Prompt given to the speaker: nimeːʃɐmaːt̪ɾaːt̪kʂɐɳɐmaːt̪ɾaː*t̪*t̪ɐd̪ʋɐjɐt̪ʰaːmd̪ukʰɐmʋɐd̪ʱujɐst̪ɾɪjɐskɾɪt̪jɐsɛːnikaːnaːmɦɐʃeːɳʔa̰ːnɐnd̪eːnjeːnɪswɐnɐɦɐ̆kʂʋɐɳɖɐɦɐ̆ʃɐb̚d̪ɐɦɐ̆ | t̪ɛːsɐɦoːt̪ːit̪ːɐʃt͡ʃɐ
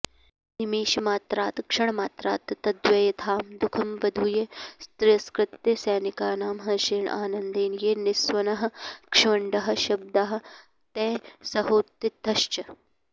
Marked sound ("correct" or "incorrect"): correct